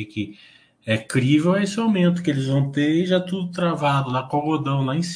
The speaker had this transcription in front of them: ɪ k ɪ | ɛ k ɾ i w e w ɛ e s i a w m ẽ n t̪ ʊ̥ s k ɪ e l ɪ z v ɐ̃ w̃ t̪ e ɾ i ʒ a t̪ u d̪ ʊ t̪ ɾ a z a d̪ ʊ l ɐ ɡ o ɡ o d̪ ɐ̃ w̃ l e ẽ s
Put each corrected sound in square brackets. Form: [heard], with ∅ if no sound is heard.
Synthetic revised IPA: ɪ k ɪ | ɛ k ɾ i [v] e w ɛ e s [ɪ] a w m ẽ n t̪ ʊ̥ [∅] k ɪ e l ɪ z v ɐ̃ w̃ t̪ e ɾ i ʒ a t̪ u d̪ ʊ t̪ ɾ a [v] a d̪ ʊ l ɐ [k] o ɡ o d̪ ɐ̃ w̃ l [a] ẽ s